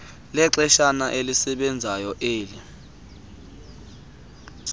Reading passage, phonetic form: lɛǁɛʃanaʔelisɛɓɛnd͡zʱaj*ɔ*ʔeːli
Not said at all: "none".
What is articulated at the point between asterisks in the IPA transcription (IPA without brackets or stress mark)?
ɔ